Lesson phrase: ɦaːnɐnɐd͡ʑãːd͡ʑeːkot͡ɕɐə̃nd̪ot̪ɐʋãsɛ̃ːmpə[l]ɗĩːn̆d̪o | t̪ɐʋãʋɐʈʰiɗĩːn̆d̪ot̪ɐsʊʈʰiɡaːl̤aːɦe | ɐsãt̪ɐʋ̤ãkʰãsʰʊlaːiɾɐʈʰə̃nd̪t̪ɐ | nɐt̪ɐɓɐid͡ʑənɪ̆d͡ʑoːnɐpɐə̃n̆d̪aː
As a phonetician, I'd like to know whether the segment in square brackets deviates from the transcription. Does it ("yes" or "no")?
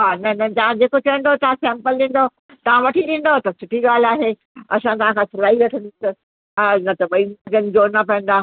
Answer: no